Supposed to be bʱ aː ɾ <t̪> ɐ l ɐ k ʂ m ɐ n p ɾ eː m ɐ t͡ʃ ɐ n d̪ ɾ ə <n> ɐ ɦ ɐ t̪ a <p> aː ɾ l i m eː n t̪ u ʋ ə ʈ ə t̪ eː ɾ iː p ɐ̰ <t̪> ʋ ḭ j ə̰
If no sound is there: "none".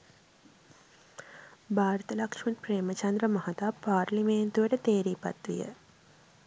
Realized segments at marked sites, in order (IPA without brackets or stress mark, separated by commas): t̪, m, p, t̪